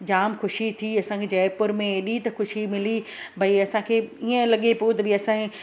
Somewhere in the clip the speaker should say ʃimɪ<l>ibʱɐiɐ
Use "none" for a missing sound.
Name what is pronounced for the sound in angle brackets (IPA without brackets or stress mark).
l